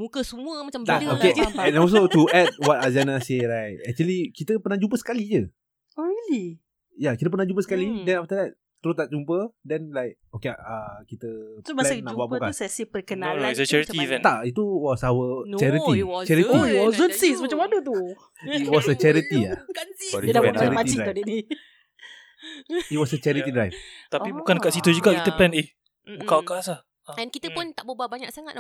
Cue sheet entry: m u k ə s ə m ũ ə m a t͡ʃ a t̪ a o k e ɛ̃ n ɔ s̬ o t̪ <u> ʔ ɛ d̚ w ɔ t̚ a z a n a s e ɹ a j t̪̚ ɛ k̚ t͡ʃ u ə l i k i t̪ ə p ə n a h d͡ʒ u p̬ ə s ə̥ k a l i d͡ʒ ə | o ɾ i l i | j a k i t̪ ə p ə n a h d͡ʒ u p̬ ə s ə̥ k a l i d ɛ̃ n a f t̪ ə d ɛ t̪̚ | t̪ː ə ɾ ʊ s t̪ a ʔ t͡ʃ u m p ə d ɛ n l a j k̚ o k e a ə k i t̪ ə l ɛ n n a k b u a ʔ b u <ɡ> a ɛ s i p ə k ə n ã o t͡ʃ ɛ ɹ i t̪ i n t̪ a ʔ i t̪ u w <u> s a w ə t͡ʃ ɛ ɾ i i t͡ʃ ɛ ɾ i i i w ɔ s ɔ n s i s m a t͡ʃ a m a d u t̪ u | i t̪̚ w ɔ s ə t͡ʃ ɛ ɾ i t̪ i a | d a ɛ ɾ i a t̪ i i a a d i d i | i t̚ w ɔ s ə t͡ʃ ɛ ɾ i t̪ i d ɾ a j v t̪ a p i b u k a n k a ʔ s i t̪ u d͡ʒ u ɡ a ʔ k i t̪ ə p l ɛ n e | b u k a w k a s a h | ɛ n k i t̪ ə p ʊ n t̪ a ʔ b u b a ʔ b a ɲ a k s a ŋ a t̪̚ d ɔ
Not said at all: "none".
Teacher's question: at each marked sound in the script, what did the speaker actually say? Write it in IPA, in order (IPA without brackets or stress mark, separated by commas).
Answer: u, k, ɔ